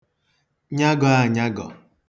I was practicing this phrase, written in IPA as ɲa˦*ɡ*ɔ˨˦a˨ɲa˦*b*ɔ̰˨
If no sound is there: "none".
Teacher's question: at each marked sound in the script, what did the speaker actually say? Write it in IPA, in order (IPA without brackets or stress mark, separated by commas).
ɡ, ɡ